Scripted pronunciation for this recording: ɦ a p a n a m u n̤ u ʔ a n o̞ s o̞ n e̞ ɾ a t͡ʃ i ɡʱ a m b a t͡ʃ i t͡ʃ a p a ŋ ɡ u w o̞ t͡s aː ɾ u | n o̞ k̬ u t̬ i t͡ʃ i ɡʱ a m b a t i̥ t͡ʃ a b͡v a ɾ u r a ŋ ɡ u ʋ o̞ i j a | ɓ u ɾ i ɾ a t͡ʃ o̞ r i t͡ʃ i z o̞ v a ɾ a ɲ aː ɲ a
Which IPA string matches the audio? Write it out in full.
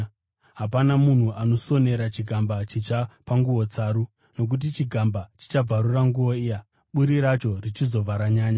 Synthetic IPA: ɦ a p a n a m u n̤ u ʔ a n o̞ s o̞ n e̞ ɾ a t͡ʃ i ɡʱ a m b a t͡ʃ i t͡ʃ a p a ŋ ɡ u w o̞ t͡s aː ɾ u | n o̞ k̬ u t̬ i t͡ʃ i ɡʱ a m b a t͡ʃ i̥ t͡ʃ a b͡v a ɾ u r a ŋ ɡ u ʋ o̞ i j a | ɓ u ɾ i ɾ a t͡ʃ o̞ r i t͡ʃ i z o̞ v a ɾ a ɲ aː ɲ a